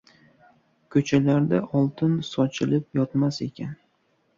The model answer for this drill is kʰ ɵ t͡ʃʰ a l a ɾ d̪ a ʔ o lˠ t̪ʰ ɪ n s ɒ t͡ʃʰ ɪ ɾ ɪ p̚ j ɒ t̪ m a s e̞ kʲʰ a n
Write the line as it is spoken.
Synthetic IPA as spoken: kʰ ɵ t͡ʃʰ a l a ɾ d̪ a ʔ ɒ lˠ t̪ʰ ɪ n s ɒ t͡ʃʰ ɪ l ɪ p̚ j ɒ t̪ m a s e̞ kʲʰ a n